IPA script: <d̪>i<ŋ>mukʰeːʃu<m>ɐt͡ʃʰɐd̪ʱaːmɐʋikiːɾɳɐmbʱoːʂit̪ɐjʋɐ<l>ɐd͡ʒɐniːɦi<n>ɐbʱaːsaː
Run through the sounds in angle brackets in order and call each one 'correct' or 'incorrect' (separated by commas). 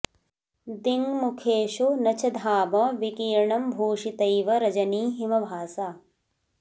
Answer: correct, correct, incorrect, incorrect, incorrect